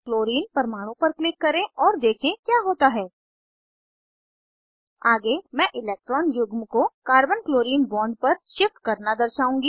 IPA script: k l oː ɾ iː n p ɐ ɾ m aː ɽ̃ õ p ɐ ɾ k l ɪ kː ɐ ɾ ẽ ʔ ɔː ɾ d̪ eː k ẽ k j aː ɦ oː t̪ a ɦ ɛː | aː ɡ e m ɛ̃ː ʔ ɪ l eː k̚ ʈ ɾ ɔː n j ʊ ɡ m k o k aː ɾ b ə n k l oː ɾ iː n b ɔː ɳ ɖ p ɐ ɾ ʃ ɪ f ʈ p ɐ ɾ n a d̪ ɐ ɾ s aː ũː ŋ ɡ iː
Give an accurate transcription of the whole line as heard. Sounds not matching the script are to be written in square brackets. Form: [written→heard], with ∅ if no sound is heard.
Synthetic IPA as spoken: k l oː ɾ iː n p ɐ ɾ m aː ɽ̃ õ p ɐ ɾ k l ɪ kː ɐ ɾ ẽ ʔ ɔː ɾ d̪ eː [k→kʰ] ẽ k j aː ɦ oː t̪ a ɦ ɛː | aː ɡ e m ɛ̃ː ʔ ɪ l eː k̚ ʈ ɾ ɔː n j ʊ ɡ m k o k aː ɾ b ə n k l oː ɾ iː n b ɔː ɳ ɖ p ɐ ɾ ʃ ɪ f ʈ [p→k] ɐ ɾ n a d̪ ɐ ɾ [s→ʃ] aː ũː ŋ ɡ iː